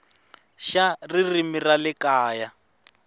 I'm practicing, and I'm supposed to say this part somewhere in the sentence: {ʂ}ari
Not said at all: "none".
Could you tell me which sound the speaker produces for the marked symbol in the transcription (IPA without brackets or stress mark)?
ʃ